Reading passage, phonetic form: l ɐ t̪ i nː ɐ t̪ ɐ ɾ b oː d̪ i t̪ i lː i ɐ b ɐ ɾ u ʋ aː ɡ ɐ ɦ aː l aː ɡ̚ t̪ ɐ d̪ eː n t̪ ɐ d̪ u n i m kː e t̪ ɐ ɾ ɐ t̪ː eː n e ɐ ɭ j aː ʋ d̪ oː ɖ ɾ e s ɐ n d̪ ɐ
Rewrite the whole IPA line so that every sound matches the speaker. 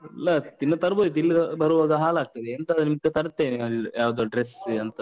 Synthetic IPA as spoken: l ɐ t̪ i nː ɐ t̪ ɐ ɾ b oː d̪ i t̪ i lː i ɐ b ɐ ɾ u ʋ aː ɡ ɐ ɦ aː l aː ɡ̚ t̪ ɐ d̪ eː n t̪ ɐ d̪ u n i m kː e t̪ ɐ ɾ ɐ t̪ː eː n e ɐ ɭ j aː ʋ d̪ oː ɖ ɾ e s ɐ n t̪ ɐ